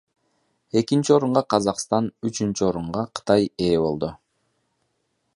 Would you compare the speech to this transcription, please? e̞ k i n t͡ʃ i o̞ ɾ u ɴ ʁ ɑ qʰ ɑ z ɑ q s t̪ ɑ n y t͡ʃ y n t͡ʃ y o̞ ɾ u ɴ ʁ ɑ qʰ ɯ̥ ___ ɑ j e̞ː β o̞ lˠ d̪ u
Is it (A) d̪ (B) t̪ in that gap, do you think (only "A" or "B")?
B